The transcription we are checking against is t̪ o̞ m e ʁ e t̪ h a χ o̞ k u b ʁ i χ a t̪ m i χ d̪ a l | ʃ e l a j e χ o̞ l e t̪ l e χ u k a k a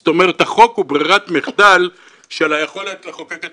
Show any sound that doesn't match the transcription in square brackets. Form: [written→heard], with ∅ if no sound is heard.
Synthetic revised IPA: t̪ o̞ m e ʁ e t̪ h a χ o̞ k u b ʁ i [χ→ʁ] a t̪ m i χ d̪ a l | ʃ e l a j e χ o̞ l e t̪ l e χ [u→o] k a k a